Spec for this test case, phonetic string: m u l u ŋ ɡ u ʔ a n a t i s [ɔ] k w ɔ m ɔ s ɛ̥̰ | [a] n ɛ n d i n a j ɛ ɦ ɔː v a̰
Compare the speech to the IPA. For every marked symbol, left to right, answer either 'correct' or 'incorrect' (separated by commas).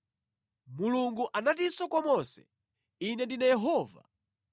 correct, incorrect